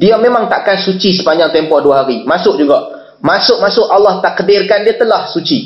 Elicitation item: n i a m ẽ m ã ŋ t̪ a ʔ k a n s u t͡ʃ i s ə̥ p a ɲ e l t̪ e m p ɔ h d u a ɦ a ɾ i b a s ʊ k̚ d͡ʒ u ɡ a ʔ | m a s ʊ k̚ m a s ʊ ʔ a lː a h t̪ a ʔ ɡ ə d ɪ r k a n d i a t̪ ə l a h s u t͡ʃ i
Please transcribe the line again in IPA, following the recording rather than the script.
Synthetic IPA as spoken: d i a m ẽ m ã ŋ t̪ a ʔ k a n s u t͡ʃ i s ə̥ p a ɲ a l t̪ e m p ɔ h d u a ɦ a ɾ i m a s ʊ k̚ d͡ʒ u ɡ a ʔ | m a s ʊ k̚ m a s ʊ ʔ a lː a h t̪ a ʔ k ə d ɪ r k a n d i a t̪ ə l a h s u t͡ʃ i